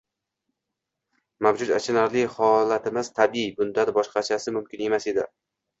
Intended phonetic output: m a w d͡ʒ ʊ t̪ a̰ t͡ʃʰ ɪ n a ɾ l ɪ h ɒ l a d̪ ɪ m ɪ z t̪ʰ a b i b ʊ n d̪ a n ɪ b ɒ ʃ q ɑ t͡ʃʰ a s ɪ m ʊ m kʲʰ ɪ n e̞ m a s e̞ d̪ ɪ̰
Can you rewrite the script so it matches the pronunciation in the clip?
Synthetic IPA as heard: m a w d͡ʒ ʊ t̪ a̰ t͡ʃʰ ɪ n a ɾ l ɪ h ɒ l a t̪ ɪ m ɪ z t̪ʰ a b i b ʊ n d̪ a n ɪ b ɒ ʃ q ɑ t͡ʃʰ a s ɪ m ʊ m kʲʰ ɪ n e̞ m a s e̞ d̪ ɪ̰